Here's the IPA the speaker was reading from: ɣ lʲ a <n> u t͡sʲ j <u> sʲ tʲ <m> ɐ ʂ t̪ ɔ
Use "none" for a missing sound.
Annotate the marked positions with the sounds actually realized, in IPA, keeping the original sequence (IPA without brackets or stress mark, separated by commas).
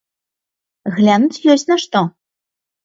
n, ɔ, n